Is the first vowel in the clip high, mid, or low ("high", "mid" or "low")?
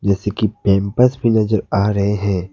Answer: mid